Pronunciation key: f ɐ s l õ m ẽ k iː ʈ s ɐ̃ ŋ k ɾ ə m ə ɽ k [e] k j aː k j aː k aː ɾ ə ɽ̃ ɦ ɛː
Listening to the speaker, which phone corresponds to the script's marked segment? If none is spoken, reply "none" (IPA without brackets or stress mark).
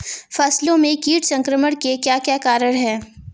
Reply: e